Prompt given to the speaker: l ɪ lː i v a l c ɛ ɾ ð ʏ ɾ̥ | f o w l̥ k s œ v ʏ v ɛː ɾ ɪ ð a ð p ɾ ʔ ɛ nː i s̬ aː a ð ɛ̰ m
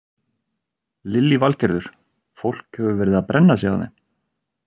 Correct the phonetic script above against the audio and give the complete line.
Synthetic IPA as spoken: l ɪ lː i v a l c ɛ ɾ ð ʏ ɾ̥ | f o w l̥ k h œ v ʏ v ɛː ɾ ɪ ð a ð p ɾ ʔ ɛ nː a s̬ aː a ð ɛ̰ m